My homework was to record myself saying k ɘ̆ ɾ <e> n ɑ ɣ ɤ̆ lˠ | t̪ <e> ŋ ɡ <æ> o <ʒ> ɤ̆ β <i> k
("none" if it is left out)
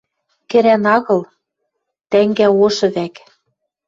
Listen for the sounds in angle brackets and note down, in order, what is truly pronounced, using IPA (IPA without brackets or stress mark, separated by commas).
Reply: æ, æ, æ, ʃ, æ